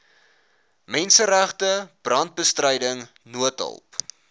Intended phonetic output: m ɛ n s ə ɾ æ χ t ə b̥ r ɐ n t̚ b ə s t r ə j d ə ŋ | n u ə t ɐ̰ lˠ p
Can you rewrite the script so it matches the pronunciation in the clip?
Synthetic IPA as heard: m ɛ n s ə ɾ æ χ t ə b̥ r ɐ n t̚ b ə s t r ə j d ə ŋ | n u ə t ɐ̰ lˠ p